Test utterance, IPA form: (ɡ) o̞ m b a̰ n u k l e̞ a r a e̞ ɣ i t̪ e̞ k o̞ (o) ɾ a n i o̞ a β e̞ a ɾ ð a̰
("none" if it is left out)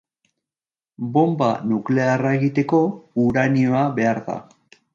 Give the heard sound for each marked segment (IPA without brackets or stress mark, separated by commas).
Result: b, u